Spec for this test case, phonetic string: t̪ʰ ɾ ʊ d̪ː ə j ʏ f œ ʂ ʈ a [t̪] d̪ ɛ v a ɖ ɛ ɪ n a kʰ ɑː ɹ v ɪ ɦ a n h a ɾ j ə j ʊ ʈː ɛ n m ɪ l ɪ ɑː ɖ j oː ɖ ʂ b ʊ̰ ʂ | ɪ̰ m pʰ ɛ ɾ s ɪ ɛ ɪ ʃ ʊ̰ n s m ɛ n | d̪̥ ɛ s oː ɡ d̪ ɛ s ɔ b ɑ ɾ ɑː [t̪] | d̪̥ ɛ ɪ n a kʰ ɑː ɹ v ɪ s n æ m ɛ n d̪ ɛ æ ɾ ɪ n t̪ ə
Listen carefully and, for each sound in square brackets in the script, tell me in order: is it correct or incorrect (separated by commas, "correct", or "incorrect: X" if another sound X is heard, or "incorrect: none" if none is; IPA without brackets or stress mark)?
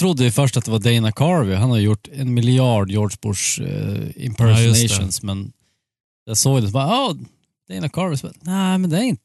correct, incorrect: none